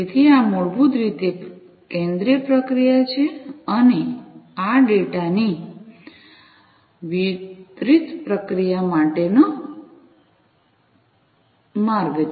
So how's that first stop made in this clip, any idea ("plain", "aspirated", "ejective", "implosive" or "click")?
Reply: aspirated